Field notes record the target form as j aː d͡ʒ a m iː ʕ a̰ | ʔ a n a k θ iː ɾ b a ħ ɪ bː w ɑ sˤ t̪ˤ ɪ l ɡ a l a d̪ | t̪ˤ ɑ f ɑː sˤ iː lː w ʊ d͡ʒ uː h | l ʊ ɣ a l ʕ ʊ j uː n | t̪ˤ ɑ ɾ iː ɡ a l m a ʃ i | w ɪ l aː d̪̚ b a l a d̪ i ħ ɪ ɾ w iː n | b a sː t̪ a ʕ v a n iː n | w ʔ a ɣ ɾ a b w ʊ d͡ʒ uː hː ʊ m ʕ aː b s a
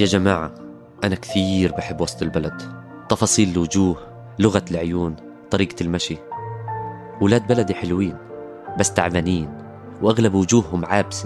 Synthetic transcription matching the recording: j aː d͡ʒ a m aː ʕ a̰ | ʔ a n a k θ iː ɾ b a ħ ɪ bː w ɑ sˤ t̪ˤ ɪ l b a l a d̪ | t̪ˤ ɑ f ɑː sˤ iː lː w ʊ d͡ʒ uː h | l ʊ ɣ a l ʕ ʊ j uː n | t̪ˤ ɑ ɾ iː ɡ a l m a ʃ i | w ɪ l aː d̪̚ b a l a d̪ i ħ ɪ l w iː n | b a sː t̪ a ʕ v a n iː n | w ʔ a ɣ l a b w ʊ d͡ʒ uː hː ʊ m ʕ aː b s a